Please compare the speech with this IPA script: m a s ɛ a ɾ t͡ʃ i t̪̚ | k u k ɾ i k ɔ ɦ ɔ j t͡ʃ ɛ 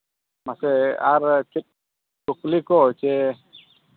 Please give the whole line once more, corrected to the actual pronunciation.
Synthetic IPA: m a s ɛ a ɾ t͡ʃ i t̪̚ | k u k l i k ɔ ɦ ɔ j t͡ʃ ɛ